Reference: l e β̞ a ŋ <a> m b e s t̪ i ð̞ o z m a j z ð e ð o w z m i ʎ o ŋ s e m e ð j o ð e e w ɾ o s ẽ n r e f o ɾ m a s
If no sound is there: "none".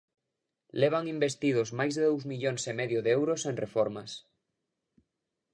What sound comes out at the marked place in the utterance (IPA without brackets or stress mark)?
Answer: i